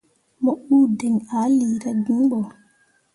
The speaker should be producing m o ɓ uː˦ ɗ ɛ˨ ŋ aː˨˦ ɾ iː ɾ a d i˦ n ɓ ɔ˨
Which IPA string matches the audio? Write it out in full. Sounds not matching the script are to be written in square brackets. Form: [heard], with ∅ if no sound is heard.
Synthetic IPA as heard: m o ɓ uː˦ [d] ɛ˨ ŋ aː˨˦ [l] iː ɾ a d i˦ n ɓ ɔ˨